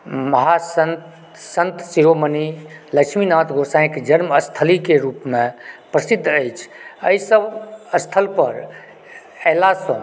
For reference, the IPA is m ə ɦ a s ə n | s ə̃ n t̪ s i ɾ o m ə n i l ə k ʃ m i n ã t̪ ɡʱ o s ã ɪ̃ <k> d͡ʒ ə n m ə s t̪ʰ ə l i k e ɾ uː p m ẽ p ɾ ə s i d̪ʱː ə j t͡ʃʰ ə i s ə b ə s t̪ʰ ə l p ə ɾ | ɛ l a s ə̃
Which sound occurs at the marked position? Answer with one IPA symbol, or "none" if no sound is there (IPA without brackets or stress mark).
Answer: k